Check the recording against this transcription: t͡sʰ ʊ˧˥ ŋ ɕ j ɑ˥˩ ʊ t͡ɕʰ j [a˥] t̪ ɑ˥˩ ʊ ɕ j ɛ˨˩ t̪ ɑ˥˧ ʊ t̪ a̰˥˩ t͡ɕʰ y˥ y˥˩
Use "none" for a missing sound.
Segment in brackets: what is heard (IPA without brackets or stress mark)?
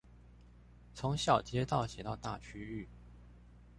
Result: ɛ˥